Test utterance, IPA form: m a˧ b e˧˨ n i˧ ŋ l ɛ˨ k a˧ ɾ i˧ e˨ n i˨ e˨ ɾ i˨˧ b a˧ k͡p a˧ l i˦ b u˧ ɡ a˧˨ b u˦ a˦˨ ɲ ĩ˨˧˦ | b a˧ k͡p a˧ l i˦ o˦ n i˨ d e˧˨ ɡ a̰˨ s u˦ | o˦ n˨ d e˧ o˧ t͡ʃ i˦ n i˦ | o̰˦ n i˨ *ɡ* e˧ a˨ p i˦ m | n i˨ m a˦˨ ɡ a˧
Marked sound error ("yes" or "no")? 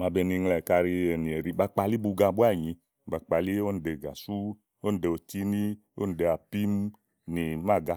yes